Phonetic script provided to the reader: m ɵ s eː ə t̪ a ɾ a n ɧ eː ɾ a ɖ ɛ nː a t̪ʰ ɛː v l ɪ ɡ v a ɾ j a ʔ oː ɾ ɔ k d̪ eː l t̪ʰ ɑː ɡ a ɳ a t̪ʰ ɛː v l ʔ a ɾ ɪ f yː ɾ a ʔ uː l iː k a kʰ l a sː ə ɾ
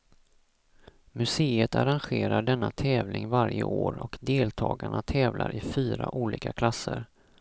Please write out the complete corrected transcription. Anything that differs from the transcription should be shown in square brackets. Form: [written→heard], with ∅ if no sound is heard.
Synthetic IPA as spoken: m ɵ s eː ə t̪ a ɾ a n ɧ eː ɾ a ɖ ɛ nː a t̪ʰ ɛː v l ɪ [ɡ→ŋ] v a ɾ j [a→ə] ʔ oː ɾ ɔ k d̪ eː l t̪ʰ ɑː ɡ a ɳ a t̪ʰ ɛː v l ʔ a ɾ ɪ f yː ɾ a ʔ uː l iː k a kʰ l a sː ə ɾ

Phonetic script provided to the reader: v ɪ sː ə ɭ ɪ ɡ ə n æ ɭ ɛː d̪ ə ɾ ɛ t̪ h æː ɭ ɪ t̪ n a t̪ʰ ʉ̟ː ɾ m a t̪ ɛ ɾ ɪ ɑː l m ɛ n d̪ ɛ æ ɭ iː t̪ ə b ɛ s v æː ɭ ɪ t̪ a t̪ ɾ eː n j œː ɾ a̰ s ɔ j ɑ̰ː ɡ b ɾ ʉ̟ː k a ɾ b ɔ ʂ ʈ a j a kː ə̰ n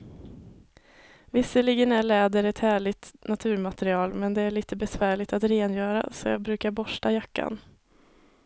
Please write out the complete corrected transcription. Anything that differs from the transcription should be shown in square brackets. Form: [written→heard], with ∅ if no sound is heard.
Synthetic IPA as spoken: v ɪ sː ə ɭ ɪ ɡ ə n æ ɭ ɛː d̪ ə ɾ ɛ t̪ h æː ɭ ɪ t̪ n a t̪ʰ ʉ̟ː ɾ m a t̪ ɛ ɾ ɪ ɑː l m ɛ n d̪ ɛ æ ɭ iː t̪ ə b ɛ s v æː ɭ ɪ t̪ a t̪ ɾ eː n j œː ɾ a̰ s ɔ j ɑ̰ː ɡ b ɾ ʉ̟ː k a ɾ b ɔ ʂ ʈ a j a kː [ə̰→a̰] n

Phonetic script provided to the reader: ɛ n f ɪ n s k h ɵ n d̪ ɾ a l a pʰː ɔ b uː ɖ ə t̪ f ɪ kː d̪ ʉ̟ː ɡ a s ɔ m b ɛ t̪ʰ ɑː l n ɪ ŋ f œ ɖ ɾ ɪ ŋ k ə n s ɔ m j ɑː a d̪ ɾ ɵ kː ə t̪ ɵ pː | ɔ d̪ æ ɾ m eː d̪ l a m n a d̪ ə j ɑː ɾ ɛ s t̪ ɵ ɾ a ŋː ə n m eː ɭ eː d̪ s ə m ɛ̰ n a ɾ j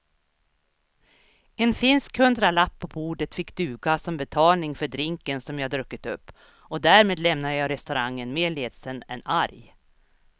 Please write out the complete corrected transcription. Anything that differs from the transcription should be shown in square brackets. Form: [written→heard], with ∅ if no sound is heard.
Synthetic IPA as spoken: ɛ n f ɪ n s k h ɵ n d̪ ɾ a l a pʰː ɔ b uː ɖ ə t̪ f ɪ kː d̪ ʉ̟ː ɡ a s ɔ m b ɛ t̪ʰ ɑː l n ɪ ŋ f œ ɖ ɾ ɪ ŋ k ə n s ɔ m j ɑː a d̪ ɾ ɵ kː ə t̪ ɵ pː | ɔ d̪ æ ɾ m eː d̪ l [a→ɛ] m n a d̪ ə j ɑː ɾ ɛ s t̪ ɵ ɾ a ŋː ə n m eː ɭ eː d̪ s ə [m→n] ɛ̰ n a ɾ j

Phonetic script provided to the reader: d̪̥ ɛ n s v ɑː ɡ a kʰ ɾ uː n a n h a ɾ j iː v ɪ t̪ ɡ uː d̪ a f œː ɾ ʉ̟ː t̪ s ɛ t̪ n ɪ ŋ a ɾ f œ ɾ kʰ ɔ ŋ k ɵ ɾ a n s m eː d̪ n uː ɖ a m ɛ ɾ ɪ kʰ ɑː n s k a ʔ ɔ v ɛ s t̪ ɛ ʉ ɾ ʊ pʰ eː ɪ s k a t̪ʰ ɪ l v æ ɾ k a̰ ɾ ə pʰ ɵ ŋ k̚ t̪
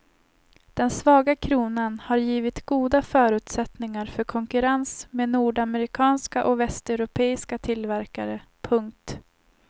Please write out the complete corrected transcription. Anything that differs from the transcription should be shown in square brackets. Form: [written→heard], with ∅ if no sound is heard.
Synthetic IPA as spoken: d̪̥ ɛ n s v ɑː ɡ a kʰ ɾ uː n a n h a ɾ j iː v ɪ t̪ ɡ uː d̪ a f œː ɾ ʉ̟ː t̪ s ɛ t̪ n ɪ ŋ a ɾ f œ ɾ kʰ ɔ ŋ k ɵ ɾ a n s m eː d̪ n uː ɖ a m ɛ ɾ ɪ kʰ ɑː n s k a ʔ ɔ v ɛ s t̪ ɛ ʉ ɾ ʊ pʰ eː ɪ s k a t̪ʰ ɪ l v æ ɾ k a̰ ɾ ə pʰ ɵ ŋ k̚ t̪

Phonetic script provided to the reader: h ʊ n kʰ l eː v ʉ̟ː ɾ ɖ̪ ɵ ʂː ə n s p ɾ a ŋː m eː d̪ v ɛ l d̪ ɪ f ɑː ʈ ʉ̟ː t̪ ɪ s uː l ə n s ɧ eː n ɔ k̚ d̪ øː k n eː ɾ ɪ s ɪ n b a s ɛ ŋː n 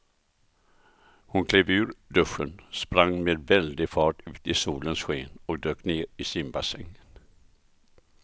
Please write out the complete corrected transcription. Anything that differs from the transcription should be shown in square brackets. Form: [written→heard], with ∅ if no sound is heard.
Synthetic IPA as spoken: h ʊ n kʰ l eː v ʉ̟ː ɾ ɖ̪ ɵ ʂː ə n s p ɾ a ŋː m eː d̪ v ɛ l d̪ ɪ f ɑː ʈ ʉ̟ː t̪ ɪ s uː l ə n s ɧ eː n ɔ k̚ d̪ øː k n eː ɾ ɪ s ɪ n b a s ɛ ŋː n

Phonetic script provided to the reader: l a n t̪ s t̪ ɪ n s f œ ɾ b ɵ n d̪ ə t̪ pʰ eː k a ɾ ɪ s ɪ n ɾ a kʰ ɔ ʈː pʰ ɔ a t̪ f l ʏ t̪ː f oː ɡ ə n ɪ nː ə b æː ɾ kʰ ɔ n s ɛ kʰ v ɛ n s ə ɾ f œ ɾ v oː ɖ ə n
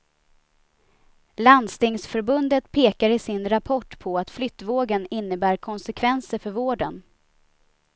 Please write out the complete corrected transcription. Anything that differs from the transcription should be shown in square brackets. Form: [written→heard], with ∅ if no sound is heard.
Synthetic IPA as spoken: l a n [t̪→d̪] s t̪ ɪ [n→ŋ] s f œ ɾ b ɵ n d̪ ə t̪ pʰ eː k a ɾ ɪ s ɪ n ɾ a [kʰ→pʰ] ɔ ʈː pʰ ɔ a t̪ f l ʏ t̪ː [f→v] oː ɡ ə n ɪ nː ə b æː ɾ kʰ ɔ n s ɛ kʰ v ɛ n s ə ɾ f œ ɾ v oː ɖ ə n

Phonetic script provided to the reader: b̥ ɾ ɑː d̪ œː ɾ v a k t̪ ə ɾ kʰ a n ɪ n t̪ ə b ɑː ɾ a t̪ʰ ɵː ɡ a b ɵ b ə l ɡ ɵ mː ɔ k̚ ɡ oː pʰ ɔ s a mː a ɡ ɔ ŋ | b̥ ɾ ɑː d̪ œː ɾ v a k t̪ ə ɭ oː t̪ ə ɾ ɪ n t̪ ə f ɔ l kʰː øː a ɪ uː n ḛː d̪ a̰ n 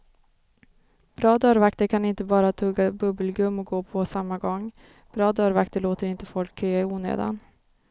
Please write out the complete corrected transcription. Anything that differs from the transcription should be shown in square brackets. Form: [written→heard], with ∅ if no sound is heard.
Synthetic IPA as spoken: b̥ ɾ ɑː d̪ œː ɾ v a k t̪ ə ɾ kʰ a n ɪ n t̪ ə b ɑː ɾ a t̪ʰ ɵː ɡ a b ɵ b ə l ɡ ɵ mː ɔ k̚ ɡ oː pʰ ɔ s a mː a ɡ ɔ ŋ | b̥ ɾ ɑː d̪ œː ɾ v a k t̪ ə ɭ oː t̪ ə ɾ ɪ n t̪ ə f ɔ l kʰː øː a ɪ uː n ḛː d̪ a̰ n

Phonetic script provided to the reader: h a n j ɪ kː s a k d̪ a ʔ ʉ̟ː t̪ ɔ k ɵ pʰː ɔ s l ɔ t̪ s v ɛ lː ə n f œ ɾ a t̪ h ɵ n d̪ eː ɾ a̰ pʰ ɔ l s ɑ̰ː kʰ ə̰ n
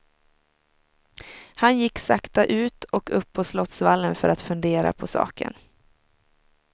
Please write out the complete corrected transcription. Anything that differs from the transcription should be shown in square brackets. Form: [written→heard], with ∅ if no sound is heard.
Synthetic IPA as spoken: h a n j ɪ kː s a k [d̪→t̪] a ʔ ʉ̟ː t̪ ɔ k ɵ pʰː ɔ s l ɔ t̪ s v [ɛ→a] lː ə n f œ ɾ a t̪ [h→f] ɵ n d̪ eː ɾ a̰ pʰ ɔ [l→∅] s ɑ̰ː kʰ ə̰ n

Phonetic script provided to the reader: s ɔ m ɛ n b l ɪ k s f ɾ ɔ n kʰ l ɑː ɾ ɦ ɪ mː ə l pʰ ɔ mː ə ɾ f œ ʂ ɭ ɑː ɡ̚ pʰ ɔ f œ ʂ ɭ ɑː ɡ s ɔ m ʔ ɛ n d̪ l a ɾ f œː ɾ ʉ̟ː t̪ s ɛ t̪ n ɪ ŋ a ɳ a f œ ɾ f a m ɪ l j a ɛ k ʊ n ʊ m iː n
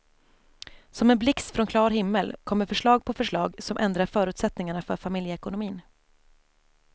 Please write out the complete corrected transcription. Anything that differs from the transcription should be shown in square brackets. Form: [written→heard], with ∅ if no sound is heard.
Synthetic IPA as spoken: s ɔ m ɛ n b l ɪ k s f ɾ ɔ n kʰ l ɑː ɾ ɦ ɪ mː ə l [pʰ→kʰ] ɔ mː ə ɾ f œ ʂ ɭ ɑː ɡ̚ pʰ ɔ f œ ʂ ɭ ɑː ɡ s ɔ m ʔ ɛ n d̪ [l→ɾ] a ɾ f œː ɾ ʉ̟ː t̪ s ɛ t̪ n ɪ ŋ a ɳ a f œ ɾ f a m ɪ l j [a→ə] ɛ k ʊ n ʊ m iː n

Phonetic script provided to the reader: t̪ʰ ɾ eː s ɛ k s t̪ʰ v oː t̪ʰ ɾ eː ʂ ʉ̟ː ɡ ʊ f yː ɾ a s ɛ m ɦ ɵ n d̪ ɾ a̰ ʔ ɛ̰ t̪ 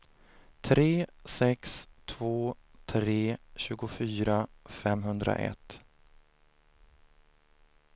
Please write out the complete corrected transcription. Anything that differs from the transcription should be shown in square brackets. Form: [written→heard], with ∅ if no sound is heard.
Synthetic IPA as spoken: t̪ʰ ɾ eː s ɛ k s t̪ʰ v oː t̪ʰ ɾ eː [ʂ→ɕ] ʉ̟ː ɡ ʊ f yː ɾ a [s→f] ɛ m ɦ ɵ n d̪ ɾ a̰ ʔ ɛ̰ t̪

